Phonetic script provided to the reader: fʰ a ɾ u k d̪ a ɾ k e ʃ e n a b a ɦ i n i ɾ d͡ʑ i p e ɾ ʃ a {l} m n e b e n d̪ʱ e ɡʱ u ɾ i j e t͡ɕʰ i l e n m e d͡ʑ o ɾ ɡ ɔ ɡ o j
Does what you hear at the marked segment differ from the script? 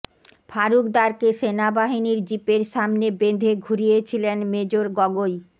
yes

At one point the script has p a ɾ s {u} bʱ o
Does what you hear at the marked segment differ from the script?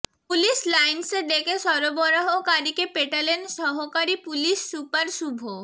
no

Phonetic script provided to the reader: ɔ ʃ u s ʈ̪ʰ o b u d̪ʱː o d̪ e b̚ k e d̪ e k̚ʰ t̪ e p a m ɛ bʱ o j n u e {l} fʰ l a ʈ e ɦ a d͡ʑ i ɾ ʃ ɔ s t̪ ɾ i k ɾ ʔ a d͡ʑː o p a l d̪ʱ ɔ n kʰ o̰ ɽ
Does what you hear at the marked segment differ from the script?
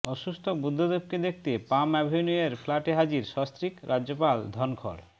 yes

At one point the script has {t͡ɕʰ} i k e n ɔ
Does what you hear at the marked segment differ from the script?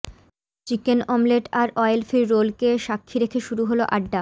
yes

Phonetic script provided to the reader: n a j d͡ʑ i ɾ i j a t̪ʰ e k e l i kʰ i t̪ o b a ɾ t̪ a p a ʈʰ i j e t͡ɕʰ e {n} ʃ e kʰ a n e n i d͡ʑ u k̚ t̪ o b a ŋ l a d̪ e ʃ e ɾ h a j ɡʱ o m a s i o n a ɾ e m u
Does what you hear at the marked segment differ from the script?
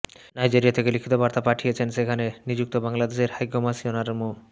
no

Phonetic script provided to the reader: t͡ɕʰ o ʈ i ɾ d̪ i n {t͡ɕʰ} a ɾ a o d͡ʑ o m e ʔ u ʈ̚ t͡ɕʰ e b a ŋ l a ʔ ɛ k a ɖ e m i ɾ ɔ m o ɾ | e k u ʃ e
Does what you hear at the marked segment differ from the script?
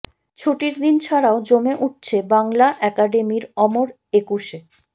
no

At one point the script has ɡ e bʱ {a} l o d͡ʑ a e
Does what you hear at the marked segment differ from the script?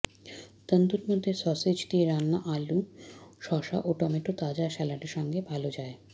no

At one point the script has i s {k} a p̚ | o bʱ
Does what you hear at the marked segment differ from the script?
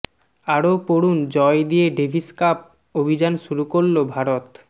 no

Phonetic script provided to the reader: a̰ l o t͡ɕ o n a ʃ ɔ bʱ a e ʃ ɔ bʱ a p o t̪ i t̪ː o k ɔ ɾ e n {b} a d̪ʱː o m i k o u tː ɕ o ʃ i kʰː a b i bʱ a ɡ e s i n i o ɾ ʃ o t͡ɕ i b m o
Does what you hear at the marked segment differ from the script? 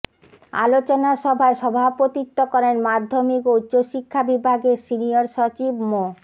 yes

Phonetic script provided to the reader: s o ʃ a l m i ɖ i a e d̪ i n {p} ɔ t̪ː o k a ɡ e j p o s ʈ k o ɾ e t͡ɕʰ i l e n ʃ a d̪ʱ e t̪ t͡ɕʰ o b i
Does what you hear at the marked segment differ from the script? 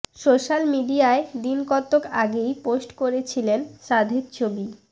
yes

